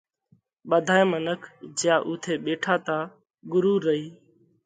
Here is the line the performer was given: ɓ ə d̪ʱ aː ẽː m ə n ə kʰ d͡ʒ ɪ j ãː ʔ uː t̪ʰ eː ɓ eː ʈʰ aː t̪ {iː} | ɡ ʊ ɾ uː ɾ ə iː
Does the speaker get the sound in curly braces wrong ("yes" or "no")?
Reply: yes